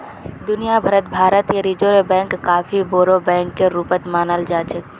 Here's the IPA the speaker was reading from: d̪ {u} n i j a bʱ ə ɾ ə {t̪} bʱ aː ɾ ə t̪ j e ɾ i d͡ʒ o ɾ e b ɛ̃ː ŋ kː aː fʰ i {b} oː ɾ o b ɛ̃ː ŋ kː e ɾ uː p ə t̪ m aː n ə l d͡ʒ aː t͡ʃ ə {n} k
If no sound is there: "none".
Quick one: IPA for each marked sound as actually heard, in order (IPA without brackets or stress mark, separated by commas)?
ʊ, t̪, b, none